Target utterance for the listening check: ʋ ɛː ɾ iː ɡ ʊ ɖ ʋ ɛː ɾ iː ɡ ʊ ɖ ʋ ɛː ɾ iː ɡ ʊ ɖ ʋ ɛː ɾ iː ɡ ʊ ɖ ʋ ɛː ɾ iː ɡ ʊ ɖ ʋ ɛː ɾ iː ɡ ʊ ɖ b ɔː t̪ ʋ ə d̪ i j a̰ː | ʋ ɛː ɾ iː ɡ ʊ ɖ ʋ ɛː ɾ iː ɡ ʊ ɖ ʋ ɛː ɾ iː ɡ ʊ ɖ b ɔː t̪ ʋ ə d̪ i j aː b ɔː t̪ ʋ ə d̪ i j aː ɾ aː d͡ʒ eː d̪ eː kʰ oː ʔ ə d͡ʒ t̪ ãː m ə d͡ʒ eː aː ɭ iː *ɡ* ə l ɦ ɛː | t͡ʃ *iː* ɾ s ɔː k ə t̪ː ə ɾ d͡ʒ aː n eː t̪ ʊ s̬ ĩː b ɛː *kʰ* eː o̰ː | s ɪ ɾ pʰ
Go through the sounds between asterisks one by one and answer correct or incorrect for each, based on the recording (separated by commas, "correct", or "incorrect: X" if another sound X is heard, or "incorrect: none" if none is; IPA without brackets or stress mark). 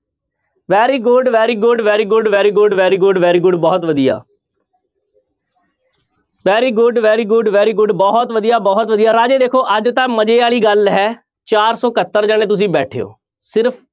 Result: correct, incorrect: aː, incorrect: ʈʰ